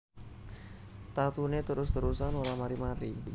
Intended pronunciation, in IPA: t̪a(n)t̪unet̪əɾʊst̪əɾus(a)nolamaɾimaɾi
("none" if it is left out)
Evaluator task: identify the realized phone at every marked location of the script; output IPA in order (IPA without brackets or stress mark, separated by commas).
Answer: none, a